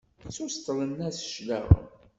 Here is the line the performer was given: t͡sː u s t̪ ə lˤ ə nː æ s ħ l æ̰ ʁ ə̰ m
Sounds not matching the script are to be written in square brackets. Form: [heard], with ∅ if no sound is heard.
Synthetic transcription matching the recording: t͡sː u s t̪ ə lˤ ə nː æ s [ʃ] l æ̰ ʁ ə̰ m